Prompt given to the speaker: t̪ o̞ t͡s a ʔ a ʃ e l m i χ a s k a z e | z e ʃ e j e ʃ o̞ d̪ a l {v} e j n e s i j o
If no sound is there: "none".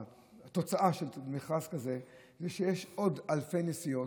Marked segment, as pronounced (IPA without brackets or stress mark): f